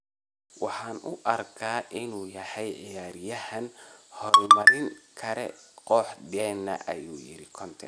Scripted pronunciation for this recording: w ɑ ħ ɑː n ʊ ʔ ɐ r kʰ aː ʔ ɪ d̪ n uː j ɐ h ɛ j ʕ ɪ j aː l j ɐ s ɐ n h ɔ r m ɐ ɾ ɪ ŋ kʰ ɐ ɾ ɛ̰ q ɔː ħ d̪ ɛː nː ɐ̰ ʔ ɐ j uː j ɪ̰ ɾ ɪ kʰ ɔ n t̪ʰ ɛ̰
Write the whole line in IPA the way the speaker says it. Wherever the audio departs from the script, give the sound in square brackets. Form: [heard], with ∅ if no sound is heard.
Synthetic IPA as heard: w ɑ ħ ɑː n ʊ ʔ ɐ r kʰ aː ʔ ɪ [∅] n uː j ɐ h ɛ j ʕ ɪ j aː [ɾ] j ɐ [h] ɐ n h ɔ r m ɐ ɾ ɪ ŋ kʰ ɐ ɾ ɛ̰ q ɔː ħ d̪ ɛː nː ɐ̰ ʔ ɐ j uː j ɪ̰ ɾ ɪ kʰ ɔ n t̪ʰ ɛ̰